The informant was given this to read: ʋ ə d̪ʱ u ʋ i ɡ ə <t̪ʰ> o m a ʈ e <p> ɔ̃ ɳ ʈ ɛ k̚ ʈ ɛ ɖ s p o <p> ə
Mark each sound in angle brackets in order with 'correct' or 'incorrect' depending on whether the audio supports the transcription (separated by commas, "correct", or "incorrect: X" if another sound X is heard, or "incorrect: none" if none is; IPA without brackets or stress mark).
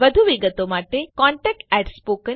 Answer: incorrect: t̪, incorrect: k, incorrect: k